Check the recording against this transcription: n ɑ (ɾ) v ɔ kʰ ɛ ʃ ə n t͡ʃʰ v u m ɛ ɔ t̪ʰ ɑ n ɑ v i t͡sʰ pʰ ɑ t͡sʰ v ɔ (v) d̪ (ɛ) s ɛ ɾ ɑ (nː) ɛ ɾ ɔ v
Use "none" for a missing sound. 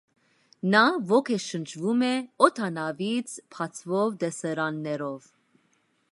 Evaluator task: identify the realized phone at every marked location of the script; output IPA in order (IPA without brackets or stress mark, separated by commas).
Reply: none, v, ɛ, nː